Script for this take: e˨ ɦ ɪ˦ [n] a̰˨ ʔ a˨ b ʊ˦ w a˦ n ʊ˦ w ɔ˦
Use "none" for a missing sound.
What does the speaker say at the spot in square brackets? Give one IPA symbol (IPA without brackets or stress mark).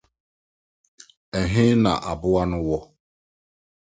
n